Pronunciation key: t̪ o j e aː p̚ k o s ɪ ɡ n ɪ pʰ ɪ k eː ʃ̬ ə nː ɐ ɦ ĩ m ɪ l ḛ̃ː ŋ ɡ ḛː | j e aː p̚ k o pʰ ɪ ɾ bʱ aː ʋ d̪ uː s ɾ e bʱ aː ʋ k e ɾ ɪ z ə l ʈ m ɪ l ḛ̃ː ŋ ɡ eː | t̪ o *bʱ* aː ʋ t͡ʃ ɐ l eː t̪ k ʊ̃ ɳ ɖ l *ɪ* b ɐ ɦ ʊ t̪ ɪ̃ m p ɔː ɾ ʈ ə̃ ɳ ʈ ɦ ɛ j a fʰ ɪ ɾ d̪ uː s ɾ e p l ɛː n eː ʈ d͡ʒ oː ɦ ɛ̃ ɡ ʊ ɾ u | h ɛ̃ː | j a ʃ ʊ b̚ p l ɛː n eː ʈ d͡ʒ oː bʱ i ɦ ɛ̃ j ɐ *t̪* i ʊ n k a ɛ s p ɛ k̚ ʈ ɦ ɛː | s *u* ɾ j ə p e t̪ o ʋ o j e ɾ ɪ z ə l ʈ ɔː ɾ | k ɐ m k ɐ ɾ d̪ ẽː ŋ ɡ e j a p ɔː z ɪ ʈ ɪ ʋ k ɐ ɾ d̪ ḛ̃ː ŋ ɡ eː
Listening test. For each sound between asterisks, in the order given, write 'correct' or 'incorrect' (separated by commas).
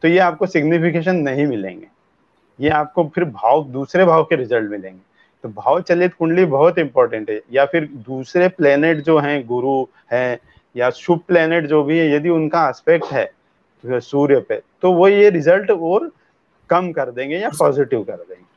correct, incorrect, incorrect, incorrect